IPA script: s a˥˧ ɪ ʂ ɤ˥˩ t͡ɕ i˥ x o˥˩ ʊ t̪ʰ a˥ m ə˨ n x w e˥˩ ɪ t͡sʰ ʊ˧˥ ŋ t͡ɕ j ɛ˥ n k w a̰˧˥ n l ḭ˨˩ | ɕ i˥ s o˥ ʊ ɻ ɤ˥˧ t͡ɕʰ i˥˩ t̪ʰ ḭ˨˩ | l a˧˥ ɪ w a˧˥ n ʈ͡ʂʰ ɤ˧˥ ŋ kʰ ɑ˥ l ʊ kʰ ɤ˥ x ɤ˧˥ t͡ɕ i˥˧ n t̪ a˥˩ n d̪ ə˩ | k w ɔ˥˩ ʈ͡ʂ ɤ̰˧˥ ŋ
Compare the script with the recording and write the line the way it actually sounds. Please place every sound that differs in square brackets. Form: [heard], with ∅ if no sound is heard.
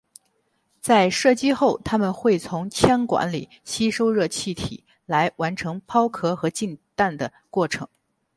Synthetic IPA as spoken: [t͡s] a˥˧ ɪ ʂ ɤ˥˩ t͡ɕ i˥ x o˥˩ ʊ t̪ʰ a˥ m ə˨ n x w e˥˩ ɪ t͡sʰ ʊ˧˥ ŋ [t͡ɕʰ] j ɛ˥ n k w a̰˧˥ n l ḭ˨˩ | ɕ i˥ [ʂ] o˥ ʊ ɻ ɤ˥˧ t͡ɕʰ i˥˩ t̪ʰ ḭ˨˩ | l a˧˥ ɪ w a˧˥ n ʈ͡ʂʰ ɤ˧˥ ŋ [pʰ] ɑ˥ [∅] ʊ kʰ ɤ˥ x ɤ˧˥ t͡ɕ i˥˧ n t̪ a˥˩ n d̪ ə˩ | k w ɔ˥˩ [ʈ͡ʂʰ] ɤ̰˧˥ ŋ